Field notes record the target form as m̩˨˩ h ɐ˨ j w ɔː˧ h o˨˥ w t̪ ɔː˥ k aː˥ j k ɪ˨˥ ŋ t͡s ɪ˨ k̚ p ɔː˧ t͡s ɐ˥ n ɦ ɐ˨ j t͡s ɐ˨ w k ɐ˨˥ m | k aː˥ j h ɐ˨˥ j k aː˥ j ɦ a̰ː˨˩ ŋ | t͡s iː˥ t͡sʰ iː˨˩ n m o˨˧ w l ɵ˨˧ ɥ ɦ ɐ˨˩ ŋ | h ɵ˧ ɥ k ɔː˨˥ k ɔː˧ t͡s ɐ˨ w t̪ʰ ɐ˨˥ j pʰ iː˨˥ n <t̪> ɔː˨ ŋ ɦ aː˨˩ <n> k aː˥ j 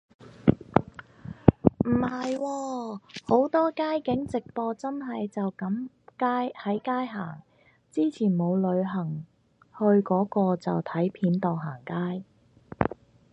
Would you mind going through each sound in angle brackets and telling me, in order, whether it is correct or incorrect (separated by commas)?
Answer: correct, incorrect